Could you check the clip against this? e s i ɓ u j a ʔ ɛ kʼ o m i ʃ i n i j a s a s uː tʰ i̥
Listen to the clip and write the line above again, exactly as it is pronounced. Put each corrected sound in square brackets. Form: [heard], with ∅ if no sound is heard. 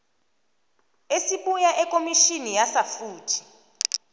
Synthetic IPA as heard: e s i ɓ u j a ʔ ɛ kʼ o m i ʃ i n i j a s a [f] uː tʰ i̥